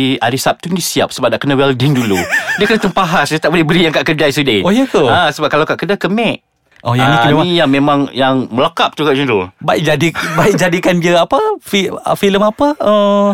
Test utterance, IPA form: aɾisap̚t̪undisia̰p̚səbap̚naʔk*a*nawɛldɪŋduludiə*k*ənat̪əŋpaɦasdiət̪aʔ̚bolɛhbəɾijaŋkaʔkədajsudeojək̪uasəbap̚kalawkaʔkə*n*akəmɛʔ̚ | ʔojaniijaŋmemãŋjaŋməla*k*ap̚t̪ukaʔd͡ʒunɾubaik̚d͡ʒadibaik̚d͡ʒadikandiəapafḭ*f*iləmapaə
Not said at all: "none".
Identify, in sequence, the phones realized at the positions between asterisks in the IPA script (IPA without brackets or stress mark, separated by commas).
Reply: ə, k, d, k, f